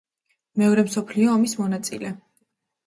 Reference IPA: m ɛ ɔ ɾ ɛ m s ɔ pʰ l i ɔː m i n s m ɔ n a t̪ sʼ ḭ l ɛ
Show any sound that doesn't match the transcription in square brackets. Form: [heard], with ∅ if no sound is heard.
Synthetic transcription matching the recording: m ɛ ɔ ɾ ɛ m s ɔ pʰ l i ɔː m i [∅] s m ɔ n a t̪ sʼ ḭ l ɛ